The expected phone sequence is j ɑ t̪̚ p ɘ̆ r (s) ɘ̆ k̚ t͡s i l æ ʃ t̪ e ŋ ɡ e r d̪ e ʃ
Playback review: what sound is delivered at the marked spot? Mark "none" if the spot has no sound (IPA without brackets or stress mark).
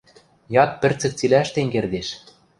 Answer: t͡s